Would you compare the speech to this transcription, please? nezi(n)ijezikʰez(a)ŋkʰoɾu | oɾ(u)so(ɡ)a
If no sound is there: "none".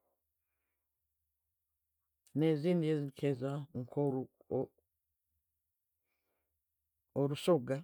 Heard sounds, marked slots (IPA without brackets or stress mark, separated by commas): n, a, u, ɡ